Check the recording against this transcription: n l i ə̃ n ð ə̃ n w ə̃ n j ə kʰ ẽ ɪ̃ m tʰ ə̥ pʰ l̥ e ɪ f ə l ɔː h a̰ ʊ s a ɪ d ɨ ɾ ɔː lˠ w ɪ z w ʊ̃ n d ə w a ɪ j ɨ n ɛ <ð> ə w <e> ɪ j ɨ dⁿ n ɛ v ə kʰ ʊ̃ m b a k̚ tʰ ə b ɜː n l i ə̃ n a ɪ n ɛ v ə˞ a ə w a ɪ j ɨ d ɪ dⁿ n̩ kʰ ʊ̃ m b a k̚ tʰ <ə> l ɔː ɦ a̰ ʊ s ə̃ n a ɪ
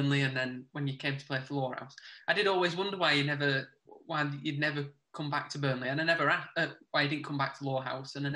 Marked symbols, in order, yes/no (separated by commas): no, no, yes